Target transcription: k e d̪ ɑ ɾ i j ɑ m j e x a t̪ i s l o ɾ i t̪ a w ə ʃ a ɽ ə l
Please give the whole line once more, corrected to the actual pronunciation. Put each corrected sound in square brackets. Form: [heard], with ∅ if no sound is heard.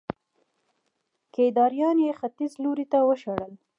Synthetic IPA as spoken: k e d̪ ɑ ɾ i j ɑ [n] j e x a t̪ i [z] l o ɾ i t̪ a w ə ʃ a ɽ ə l